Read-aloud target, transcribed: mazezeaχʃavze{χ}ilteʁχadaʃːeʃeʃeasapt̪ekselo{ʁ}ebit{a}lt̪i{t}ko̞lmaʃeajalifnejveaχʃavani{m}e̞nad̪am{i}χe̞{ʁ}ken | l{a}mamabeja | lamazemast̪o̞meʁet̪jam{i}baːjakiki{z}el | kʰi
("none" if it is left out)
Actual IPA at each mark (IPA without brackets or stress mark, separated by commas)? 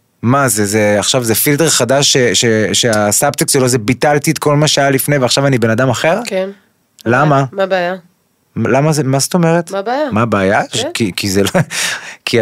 f, z, a, t, b, a, ʁ, a, a, z